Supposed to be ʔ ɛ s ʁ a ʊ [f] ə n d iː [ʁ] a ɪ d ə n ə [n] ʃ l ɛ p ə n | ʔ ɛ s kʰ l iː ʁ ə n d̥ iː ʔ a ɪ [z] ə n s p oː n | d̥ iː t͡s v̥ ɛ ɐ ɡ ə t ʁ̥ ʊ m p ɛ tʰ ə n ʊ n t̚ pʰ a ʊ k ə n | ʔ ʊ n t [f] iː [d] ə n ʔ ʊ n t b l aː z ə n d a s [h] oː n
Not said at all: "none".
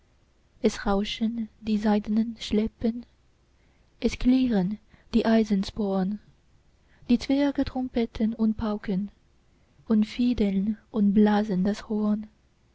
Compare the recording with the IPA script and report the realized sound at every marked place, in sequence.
ʃ, z, n, z, f, d, h

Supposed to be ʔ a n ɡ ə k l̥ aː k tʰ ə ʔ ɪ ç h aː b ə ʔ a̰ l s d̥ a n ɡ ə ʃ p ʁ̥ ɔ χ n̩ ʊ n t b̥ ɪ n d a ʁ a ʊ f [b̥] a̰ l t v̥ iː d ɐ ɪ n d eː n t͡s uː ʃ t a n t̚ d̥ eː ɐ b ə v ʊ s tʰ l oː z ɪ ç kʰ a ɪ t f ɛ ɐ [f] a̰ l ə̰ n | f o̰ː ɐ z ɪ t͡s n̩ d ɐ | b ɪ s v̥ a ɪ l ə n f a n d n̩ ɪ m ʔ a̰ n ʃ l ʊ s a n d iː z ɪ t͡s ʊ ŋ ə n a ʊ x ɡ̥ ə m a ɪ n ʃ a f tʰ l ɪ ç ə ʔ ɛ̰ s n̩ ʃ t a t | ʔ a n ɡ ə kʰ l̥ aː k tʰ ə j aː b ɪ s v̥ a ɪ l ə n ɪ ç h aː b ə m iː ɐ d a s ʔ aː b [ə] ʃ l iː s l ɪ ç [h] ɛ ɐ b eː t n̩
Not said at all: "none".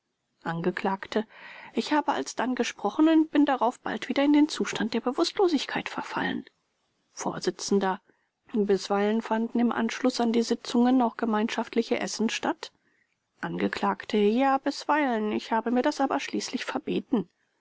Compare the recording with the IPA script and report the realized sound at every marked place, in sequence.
b̥, f, ɐ, f

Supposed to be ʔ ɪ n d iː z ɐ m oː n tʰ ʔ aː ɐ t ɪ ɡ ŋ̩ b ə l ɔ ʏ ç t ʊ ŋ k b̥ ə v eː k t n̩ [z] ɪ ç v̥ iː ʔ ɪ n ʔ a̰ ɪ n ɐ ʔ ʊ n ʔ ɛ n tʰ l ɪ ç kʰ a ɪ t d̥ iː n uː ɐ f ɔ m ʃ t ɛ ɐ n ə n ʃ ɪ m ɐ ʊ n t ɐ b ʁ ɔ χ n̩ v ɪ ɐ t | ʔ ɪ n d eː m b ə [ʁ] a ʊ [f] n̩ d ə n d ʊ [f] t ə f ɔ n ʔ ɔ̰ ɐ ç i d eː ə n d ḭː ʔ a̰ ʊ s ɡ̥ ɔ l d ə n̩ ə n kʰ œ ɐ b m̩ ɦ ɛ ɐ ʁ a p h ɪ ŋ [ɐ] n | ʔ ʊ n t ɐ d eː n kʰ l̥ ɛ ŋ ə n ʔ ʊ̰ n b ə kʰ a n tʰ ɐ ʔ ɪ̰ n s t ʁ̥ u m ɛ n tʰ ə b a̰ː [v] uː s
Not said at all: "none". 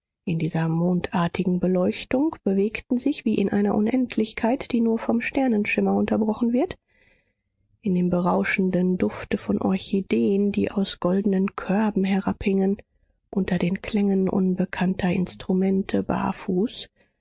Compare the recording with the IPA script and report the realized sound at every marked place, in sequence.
z, ʁ, ʃ, f, ə, f

